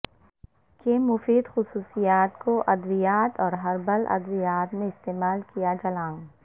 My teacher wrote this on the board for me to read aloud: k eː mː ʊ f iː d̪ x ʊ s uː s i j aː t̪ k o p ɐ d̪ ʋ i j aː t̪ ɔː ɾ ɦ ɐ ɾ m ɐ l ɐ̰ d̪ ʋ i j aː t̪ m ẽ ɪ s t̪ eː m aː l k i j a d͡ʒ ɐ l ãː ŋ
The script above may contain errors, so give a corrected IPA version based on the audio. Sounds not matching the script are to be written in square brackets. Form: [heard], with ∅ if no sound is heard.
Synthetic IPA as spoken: k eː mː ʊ f iː d̪ x ʊ s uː s i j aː t̪ k o [ʔ] ɐ d̪ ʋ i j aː t̪ ɔː ɾ ɦ ɐ ɾ [b] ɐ l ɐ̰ d̪ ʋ i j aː t̪ m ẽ ɪ s t̪ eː m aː l k i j a d͡ʒ ɐ l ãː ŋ